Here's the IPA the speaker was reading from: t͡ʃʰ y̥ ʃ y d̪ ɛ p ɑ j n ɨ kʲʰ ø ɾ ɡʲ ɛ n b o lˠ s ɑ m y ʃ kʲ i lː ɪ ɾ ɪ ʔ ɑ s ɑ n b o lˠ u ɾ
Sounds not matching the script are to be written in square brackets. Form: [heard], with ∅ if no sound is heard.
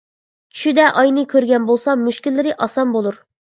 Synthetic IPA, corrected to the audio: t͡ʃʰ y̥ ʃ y d̪ ɛ [ʔ] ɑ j n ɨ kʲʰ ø ɾ ɡʲ ɛ n b o lˠ s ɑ m y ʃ kʲ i lː ɪ ɾ ɪ ʔ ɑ s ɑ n b o lˠ u ɾ

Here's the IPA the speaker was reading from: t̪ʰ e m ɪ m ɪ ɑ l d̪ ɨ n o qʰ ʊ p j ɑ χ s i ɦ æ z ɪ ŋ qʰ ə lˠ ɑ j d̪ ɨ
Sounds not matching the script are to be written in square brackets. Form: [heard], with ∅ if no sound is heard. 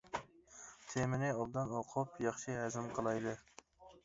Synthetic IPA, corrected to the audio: t̪ʰ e m ɪ [n] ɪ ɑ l d̪ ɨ n o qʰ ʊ p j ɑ χ [ʃ] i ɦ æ z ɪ [m] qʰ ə lˠ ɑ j d̪ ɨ

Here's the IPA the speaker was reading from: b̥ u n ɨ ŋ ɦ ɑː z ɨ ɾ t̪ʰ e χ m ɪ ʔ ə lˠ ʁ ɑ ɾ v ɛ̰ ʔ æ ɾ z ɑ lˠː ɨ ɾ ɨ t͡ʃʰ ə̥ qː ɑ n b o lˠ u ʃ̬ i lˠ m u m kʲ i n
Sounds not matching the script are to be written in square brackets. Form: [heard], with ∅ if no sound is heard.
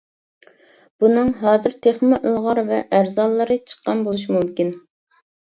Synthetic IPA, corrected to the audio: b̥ u n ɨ ŋ ɦ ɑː z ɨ ɾ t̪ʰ e χ m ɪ ʔ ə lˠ ʁ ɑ ɾ v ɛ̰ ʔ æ ɾ z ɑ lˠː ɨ ɾ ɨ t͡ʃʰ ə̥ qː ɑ n b o lˠ u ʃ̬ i [∅] m u m kʲ i n

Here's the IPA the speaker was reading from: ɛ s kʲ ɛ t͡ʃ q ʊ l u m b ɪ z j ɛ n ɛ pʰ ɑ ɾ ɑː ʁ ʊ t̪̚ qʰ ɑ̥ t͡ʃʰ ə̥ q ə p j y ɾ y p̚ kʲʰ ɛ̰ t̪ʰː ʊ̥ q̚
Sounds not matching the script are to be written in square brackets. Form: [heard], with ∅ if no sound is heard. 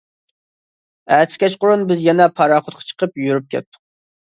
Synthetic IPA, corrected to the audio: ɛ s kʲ ɛ t͡ʃ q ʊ [ɾ] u [n] b ɪ z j ɛ n ɛ pʰ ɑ ɾ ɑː [χ] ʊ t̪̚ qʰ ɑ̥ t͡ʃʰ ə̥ q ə p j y ɾ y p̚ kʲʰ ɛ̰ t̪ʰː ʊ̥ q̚

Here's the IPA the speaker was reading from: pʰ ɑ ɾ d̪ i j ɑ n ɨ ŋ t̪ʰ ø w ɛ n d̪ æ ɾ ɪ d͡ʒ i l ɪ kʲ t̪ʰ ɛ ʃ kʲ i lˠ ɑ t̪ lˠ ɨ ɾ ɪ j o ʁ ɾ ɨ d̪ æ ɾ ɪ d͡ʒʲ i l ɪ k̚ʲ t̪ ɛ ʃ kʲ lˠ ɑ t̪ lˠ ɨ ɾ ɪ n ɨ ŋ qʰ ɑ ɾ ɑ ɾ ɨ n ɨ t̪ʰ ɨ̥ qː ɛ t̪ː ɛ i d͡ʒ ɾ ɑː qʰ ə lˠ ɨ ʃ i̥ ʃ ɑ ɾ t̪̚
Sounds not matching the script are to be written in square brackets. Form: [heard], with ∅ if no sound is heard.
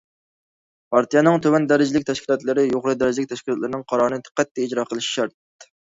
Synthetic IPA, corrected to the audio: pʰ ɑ ɾ [t̪] i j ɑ n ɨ ŋ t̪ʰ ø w ɛ n d̪ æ ɾ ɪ d͡ʒ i l ɪ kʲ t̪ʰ ɛ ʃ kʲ i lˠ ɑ t̪ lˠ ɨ ɾ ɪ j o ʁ ɾ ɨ d̪ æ ɾ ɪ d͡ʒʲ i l ɪ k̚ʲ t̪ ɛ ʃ kʲ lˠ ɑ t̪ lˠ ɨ ɾ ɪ n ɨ ŋ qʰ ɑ ɾ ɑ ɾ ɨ n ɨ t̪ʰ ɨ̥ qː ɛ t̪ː ɛ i d͡ʒ ɾ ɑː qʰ ə lˠ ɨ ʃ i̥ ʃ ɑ ɾ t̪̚

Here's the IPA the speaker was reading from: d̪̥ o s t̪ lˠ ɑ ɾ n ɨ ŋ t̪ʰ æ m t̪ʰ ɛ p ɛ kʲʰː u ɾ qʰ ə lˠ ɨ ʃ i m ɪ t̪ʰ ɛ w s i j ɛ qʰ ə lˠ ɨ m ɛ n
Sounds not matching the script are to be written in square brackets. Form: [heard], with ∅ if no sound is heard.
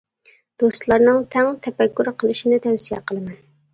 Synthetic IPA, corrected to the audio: d̪̥ o s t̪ lˠ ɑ ɾ n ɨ ŋ t̪ʰ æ [ŋ] t̪ʰ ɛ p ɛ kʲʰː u ɾ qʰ ə lˠ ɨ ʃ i [n] ɪ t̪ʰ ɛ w s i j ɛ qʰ ə lˠ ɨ m ɛ n

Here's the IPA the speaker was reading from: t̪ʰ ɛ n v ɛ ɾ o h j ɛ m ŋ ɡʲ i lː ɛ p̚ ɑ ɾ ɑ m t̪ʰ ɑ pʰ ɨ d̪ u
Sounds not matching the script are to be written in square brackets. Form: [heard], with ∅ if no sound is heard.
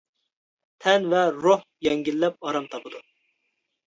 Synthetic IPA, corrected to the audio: t̪ʰ ɛ n v ɛ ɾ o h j ɛ [∅] ŋ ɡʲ i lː ɛ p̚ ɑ ɾ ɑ m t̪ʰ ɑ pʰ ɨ d̪ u

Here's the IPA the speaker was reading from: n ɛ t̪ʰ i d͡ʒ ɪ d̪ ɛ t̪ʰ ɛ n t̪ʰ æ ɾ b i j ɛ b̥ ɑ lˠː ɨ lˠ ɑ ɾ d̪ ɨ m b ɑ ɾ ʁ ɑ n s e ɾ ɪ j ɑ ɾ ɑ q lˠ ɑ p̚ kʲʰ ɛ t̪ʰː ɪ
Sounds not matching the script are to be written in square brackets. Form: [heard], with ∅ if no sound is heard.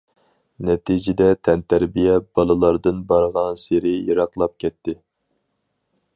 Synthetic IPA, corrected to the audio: n ɛ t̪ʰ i d͡ʒ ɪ d̪ ɛ t̪ʰ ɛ n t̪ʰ æ ɾ b i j ɛ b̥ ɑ [lˠ] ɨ lˠ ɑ ɾ d̪ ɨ [n] b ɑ ɾ ʁ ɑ n s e ɾ ɪ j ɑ ɾ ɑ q lˠ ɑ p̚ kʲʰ ɛ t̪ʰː ɪ

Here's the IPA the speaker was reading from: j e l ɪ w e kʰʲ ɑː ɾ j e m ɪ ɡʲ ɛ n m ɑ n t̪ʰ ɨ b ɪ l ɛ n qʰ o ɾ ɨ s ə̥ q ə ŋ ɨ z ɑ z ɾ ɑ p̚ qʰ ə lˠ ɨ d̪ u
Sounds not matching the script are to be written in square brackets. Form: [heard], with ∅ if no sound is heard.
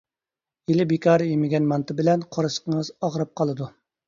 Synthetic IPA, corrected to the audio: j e l ɪ [b] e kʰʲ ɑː ɾ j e m ɪ ɡʲ ɛ n m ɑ n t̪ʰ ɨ b ɪ l ɛ n qʰ o ɾ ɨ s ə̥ q ə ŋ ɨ z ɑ [ʁ] ɾ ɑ p̚ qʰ [ɑ] lˠ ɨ d̪ u

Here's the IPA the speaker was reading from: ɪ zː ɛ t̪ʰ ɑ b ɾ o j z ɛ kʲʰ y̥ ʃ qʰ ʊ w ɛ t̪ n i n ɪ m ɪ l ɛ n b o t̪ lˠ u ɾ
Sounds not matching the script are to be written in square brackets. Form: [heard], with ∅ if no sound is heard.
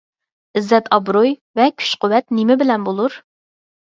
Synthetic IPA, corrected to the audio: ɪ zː ɛ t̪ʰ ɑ b ɾ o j [v] ɛ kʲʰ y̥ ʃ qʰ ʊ w ɛ t̪ n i [m] ɪ [b] ɪ l ɛ n b o [∅] lˠ u ɾ

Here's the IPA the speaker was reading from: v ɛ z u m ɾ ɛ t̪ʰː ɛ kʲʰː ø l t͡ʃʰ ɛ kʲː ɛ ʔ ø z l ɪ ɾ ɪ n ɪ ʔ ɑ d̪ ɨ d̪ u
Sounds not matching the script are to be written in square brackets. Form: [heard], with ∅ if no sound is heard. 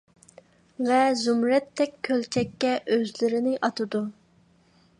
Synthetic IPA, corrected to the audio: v ɛ z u m ɾ ɛ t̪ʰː ɛ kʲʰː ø l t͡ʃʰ ɛ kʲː ɛ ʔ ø z l ɪ ɾ ɪ n ɪ ʔ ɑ [t̪] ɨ d̪ u

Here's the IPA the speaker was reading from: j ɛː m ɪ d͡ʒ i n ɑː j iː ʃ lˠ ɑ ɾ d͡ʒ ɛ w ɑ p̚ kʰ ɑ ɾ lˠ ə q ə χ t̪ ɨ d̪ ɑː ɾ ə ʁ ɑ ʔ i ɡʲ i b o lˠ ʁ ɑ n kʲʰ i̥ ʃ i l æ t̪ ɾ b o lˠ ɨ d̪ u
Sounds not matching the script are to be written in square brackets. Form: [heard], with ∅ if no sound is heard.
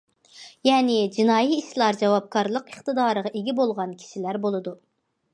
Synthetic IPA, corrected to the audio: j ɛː [n] ɪ d͡ʒ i n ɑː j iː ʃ lˠ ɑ ɾ d͡ʒ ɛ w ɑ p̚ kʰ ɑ ɾ lˠ ə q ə χ t̪ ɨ d̪ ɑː ɾ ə ʁ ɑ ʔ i ɡʲ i b o lˠ ʁ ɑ n kʲʰ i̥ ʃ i l æ [∅] ɾ b o lˠ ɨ d̪ u

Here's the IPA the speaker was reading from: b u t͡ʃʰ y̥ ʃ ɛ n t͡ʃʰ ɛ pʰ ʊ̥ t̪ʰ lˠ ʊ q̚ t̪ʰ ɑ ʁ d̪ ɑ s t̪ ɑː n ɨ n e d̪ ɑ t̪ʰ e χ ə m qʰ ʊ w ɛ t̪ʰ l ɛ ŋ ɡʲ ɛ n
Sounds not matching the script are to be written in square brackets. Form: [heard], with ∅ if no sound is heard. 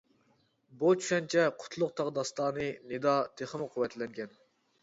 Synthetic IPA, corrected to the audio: b u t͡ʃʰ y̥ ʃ ɛ n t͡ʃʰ ɛ [qʰ] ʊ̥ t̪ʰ lˠ ʊ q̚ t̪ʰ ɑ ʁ d̪ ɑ s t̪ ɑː n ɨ n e d̪ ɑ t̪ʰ e χ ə m qʰ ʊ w ɛ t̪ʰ l ɛ ŋ ɡʲ ɛ n

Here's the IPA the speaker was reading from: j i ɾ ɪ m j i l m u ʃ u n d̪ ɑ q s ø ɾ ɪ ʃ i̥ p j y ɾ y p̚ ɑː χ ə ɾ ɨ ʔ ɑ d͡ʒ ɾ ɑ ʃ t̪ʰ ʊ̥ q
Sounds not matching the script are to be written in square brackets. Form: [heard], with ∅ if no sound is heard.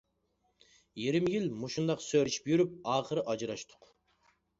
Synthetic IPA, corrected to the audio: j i ɾ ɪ m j i l m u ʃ u n d̪ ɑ q s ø ɾ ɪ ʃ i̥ p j y ɾ y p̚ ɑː χ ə ɾ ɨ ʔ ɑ d͡ʒ ɾ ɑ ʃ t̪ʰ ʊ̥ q

